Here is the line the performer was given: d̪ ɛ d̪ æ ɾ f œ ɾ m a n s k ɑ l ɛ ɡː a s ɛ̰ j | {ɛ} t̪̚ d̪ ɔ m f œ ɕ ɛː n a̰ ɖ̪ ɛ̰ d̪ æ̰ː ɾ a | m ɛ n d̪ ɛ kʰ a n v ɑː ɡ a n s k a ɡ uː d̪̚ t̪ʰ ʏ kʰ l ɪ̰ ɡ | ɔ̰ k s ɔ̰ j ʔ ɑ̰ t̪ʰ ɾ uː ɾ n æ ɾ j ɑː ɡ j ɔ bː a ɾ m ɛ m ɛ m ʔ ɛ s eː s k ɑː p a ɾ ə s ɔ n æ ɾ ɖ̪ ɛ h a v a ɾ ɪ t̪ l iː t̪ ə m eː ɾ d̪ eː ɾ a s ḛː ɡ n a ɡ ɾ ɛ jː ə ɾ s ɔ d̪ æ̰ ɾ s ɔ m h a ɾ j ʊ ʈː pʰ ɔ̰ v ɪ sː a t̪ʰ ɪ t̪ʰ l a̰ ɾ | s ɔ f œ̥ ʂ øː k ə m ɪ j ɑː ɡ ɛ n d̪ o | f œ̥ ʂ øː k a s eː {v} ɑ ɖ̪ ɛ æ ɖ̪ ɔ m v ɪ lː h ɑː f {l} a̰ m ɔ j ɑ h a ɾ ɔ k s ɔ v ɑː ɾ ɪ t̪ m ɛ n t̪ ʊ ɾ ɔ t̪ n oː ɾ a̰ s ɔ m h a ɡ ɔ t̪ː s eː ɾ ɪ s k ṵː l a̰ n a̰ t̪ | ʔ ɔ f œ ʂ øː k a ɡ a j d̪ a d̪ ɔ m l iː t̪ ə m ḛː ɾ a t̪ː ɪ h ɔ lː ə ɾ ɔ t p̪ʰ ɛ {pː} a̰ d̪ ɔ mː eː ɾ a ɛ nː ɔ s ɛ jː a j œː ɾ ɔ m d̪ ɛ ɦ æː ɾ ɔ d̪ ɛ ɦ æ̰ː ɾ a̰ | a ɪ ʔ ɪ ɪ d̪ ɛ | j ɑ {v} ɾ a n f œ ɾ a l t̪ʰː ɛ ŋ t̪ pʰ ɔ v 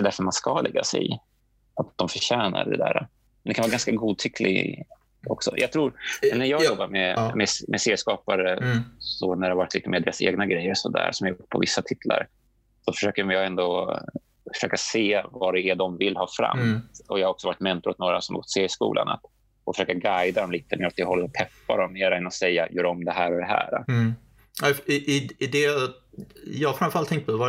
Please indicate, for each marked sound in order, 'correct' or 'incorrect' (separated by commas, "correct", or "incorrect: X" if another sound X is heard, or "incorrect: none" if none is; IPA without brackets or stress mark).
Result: incorrect: a, correct, incorrect: ɾ, correct, incorrect: f